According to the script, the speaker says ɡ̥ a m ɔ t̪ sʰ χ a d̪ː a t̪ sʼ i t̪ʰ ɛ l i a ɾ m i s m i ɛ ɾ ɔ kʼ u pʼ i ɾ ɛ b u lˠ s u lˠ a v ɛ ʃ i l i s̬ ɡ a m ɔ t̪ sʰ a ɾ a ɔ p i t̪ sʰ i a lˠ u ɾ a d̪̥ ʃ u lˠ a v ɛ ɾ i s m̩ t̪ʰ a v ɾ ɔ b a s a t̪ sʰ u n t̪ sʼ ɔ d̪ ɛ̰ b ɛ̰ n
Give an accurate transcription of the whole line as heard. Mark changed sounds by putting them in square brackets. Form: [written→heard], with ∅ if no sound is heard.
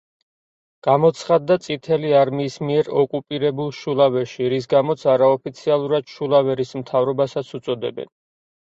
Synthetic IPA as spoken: ɡ̥ a m ɔ t̪ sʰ χ a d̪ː a t̪ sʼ i t̪ʰ ɛ l i a ɾ m [i→iː] s m i ɛ ɾ ɔ kʼ u pʼ i ɾ ɛ b u lˠ [s→ʃ] u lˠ a v ɛ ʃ i [l→ɾ] i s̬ ɡ a m ɔ t̪ sʰ a ɾ a ɔ p i t̪ sʰ i a lˠ u ɾ a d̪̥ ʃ u lˠ a v ɛ ɾ i s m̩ t̪ʰ a v ɾ ɔ b a s a t̪ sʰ u [n→∅] t̪ sʼ ɔ d̪ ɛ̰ b ɛ̰ n